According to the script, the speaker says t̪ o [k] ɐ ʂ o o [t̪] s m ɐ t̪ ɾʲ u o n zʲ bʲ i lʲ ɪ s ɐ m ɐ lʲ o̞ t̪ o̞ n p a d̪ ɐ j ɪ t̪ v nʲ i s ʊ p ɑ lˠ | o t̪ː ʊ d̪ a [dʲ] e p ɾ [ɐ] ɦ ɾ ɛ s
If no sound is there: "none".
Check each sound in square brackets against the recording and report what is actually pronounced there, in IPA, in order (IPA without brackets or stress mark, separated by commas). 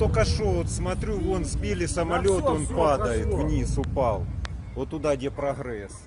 k, t̪, dʲ, ɐ